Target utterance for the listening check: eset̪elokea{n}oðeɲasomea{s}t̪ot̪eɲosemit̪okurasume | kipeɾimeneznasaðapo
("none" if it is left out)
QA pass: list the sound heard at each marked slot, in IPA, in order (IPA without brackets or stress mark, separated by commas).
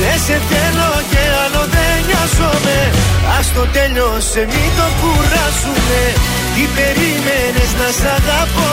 n, s